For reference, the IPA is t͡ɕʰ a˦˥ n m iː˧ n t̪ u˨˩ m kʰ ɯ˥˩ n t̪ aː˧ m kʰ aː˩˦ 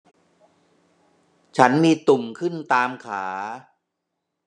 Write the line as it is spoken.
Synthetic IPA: t͡ɕʰ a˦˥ n m iː˧ t̪ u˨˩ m kʰ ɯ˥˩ n t̪ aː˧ m kʰ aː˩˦